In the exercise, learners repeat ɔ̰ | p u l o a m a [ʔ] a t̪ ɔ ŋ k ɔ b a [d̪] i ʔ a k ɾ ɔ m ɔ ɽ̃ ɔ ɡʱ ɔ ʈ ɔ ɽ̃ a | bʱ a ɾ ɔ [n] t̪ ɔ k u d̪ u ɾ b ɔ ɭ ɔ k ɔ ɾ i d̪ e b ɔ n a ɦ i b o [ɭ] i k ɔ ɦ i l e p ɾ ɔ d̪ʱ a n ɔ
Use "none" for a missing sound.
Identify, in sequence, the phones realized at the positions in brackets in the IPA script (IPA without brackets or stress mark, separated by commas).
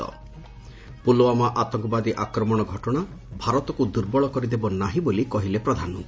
ʔ, d̪, none, l